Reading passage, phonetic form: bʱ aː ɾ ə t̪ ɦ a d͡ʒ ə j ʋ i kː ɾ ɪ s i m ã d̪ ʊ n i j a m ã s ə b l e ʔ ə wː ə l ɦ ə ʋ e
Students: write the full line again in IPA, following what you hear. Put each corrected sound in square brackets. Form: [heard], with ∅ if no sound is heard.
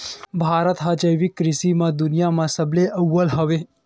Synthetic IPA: bʱ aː ɾ ə t̪ ɦ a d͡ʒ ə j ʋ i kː ɾ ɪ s i m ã d̪ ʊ n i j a m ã s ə b l e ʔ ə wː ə l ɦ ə ʋ e